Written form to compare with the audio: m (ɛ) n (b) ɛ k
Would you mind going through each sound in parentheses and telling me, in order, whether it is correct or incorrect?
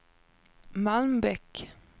incorrect, correct

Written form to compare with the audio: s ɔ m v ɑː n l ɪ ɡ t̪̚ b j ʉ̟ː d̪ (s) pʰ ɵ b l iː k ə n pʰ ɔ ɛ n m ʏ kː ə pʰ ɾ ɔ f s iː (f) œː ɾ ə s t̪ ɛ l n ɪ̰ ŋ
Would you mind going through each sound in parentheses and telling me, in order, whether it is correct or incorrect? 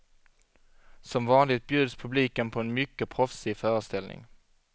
correct, correct

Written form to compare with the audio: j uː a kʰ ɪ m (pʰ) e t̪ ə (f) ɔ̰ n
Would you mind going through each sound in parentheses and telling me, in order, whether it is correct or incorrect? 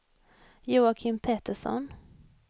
correct, incorrect

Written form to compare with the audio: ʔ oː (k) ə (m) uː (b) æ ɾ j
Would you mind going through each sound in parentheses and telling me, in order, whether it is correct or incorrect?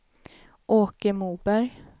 correct, correct, correct

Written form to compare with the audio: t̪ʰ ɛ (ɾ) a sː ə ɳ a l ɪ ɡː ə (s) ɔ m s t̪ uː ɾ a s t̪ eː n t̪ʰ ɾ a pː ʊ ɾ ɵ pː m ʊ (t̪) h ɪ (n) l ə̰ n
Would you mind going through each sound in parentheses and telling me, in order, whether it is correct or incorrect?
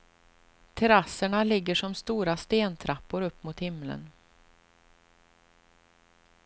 correct, incorrect, correct, incorrect

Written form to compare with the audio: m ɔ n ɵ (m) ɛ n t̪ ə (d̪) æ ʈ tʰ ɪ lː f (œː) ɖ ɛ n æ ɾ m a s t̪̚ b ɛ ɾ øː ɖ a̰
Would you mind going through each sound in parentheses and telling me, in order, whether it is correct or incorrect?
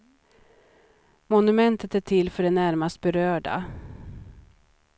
correct, incorrect, incorrect

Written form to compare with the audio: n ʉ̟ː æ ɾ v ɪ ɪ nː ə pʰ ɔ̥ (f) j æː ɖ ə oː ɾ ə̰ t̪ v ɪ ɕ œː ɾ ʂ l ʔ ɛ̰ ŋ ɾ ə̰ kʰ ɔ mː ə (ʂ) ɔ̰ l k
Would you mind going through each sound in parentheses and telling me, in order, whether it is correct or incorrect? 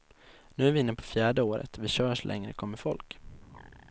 correct, incorrect

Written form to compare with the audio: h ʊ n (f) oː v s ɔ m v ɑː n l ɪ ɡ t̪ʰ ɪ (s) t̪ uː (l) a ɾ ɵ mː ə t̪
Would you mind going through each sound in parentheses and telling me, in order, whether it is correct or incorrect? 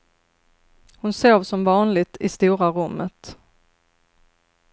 incorrect, correct, incorrect

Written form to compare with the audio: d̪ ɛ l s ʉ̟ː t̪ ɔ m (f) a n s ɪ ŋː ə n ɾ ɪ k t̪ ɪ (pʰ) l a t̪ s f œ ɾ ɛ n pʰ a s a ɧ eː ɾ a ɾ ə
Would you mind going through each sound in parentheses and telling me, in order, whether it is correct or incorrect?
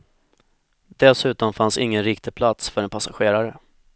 correct, correct

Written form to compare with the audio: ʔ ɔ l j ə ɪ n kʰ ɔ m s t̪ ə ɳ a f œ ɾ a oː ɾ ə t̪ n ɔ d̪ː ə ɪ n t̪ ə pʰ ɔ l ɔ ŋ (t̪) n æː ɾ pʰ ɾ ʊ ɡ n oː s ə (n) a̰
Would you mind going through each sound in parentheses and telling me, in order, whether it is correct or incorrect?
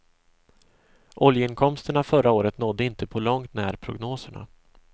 correct, incorrect

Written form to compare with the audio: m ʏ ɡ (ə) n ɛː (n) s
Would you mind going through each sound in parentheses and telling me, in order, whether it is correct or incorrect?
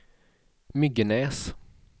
correct, incorrect

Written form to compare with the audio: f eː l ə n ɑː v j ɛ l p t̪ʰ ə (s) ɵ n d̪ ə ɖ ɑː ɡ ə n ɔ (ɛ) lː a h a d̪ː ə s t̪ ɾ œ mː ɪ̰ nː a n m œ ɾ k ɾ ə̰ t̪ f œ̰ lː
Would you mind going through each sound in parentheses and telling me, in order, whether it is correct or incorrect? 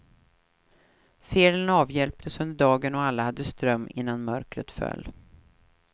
correct, incorrect

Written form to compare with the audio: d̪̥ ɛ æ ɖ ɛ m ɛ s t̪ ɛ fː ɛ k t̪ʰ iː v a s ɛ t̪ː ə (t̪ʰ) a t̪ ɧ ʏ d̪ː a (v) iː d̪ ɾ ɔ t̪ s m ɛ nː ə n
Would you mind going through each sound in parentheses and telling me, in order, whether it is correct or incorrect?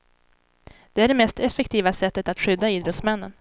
incorrect, incorrect

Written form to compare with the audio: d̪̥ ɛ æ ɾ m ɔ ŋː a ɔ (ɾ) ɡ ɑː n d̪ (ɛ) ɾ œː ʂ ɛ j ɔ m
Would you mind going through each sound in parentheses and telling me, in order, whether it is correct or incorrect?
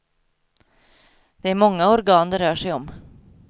correct, correct

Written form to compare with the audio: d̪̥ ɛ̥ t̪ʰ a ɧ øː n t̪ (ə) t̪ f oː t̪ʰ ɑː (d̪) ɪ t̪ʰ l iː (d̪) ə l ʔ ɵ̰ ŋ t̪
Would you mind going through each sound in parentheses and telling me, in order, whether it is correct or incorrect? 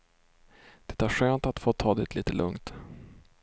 incorrect, correct, incorrect

